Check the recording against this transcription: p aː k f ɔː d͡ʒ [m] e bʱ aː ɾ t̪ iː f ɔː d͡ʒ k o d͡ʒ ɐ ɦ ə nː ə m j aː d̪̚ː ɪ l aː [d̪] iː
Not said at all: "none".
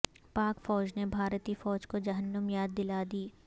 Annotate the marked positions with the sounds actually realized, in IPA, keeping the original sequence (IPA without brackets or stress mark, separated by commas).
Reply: n, d̪